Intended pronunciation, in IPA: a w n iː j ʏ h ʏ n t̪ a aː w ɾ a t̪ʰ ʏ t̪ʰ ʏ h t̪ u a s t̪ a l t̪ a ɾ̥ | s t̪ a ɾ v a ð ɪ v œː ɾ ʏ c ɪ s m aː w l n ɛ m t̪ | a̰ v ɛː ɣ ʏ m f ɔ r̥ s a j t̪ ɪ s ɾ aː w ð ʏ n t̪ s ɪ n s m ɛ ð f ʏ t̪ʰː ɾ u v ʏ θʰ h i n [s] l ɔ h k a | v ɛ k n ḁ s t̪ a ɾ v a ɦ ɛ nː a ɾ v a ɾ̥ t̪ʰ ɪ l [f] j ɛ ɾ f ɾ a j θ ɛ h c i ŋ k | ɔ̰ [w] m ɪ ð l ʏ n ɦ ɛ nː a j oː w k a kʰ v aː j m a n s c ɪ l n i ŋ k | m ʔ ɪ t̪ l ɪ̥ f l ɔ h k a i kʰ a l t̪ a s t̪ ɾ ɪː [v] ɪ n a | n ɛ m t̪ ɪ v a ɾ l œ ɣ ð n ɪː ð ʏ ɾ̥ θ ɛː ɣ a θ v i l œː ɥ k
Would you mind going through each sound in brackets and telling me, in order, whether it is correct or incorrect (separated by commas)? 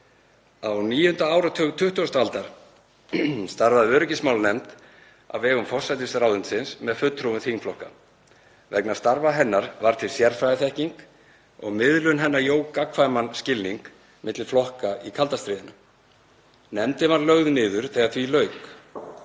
incorrect, incorrect, incorrect, incorrect